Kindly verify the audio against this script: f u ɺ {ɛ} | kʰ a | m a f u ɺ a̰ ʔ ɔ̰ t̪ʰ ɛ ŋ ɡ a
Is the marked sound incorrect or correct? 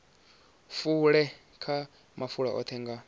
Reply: correct